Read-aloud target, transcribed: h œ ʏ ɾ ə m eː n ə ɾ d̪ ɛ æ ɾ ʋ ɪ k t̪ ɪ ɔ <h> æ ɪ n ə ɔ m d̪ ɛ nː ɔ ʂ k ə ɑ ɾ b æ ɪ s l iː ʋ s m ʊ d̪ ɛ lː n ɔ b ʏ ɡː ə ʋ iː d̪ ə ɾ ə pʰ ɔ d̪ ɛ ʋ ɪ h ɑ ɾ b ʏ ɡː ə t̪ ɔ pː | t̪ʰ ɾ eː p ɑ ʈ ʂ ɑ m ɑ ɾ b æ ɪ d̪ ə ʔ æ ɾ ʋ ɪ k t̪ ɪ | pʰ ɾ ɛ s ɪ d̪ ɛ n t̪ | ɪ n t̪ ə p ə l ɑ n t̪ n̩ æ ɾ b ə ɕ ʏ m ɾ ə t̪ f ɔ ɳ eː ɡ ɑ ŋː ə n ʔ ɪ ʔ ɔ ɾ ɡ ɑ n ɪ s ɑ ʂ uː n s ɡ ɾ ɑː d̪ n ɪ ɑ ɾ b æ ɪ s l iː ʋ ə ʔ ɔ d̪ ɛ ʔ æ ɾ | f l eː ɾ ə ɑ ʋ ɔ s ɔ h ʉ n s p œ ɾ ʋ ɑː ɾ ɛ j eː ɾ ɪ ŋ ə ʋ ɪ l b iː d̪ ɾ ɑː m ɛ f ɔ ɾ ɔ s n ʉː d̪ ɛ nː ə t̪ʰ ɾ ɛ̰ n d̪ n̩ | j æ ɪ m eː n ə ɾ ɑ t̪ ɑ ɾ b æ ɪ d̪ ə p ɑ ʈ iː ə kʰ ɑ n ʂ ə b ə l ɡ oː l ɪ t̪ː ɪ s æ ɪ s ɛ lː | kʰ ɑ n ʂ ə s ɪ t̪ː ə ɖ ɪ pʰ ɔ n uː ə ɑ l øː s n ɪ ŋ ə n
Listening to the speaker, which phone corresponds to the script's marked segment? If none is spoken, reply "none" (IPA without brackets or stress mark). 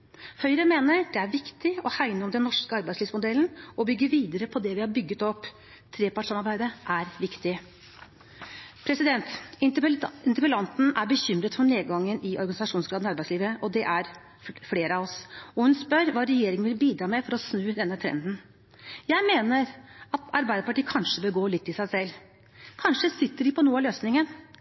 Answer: h